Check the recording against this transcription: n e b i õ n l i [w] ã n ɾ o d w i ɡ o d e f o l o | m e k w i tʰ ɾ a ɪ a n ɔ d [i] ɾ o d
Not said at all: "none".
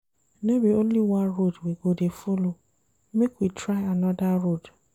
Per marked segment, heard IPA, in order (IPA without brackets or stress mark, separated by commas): w, a